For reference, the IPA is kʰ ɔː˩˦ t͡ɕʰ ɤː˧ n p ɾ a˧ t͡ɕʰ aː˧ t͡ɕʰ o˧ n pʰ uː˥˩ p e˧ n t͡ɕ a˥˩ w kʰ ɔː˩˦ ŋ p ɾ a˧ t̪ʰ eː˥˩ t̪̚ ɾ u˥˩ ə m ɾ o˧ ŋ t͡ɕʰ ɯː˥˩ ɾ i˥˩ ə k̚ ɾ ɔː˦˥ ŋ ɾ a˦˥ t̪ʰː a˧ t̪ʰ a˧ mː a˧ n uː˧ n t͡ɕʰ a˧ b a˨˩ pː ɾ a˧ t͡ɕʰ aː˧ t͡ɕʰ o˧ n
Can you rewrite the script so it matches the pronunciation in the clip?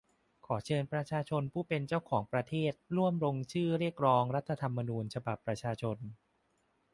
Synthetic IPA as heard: kʰ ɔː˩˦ t͡ɕʰ ɤː˧ n p ɾ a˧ t͡ɕʰ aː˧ t͡ɕʰ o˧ n pʰ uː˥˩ p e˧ n t͡ɕ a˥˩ w kʰ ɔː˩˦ ŋ p ɾ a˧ t̪ʰ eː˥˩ t̪̚ ɾ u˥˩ ə m ɾ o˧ ŋ t͡ɕʰ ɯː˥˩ ɾ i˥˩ ə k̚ ɾ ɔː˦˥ ŋ ɾ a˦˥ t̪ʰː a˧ t̪ʰ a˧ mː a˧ n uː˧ n t͡ɕʰ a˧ b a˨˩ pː ɾ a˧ t͡ɕʰ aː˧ t͡ɕʰ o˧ n